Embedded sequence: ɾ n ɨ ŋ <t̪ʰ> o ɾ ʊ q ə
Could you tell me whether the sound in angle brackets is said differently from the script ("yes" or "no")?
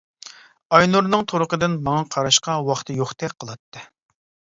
no